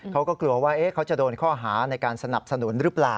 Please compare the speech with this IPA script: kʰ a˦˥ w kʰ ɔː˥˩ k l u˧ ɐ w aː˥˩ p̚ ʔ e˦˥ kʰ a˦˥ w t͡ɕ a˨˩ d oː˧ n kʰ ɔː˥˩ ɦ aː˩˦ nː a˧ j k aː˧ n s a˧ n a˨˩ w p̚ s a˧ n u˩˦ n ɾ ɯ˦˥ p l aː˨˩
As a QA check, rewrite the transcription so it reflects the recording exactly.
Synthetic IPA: kʰ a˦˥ w k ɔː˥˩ k l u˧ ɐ w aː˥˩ ʔ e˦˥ kʰ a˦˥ w t͡ɕ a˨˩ d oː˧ n kʰ ɔː˥˩ ɦ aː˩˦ n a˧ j k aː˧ n s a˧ n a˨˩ p̚ s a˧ n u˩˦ n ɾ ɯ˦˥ p l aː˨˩